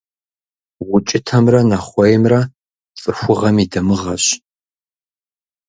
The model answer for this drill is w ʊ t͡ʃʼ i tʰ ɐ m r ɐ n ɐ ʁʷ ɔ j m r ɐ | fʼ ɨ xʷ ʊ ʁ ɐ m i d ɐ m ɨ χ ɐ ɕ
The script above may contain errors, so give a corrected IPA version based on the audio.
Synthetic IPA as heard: w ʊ t͡ʃʼ ɪ tʰ ɐ m r ɐ n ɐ χʷ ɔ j m r ɐ | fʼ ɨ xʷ ʊ ʁ ɐ m i d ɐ m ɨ ʁ ɐ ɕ